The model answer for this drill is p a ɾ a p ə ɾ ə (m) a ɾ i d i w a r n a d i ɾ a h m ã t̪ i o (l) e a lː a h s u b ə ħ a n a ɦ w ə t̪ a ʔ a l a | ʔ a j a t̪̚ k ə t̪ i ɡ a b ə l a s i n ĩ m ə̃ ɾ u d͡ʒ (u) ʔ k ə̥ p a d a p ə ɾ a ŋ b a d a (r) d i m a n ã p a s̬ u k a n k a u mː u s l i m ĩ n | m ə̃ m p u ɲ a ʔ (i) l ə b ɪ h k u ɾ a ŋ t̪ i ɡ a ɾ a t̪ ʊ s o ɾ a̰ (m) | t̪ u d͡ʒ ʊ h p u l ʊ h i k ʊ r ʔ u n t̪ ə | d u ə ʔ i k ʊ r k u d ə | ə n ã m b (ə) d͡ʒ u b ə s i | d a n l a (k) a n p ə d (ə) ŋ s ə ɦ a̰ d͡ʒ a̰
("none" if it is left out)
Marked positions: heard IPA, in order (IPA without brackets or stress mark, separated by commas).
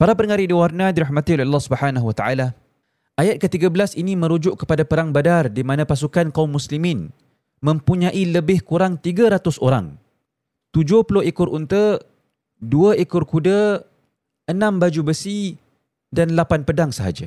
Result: ŋ, l, ʊ, r, i, ŋ, a, p, a